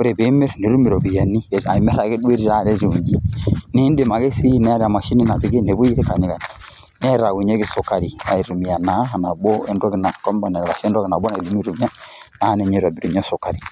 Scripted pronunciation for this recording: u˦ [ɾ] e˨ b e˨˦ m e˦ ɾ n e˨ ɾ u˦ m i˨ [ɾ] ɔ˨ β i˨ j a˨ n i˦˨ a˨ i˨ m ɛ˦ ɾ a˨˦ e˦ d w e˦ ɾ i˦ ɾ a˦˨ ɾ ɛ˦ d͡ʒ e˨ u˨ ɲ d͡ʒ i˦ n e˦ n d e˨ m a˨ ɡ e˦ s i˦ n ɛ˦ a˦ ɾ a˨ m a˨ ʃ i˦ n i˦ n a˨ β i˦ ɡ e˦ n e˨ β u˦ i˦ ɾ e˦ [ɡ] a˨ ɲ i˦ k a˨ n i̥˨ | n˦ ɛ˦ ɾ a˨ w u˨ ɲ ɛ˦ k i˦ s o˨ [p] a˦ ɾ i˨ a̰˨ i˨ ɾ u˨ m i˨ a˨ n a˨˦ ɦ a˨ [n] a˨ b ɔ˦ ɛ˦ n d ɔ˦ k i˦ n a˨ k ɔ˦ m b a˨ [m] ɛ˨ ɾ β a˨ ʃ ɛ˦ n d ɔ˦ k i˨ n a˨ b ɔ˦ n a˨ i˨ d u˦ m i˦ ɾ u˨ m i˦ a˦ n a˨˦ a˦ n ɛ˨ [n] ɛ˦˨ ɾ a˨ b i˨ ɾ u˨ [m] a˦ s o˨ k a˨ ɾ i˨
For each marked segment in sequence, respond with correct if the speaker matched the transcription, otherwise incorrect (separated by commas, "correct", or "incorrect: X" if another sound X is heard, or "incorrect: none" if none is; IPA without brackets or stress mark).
correct, correct, incorrect: k, incorrect: k, correct, incorrect: n, incorrect: ɲ, incorrect: ɲ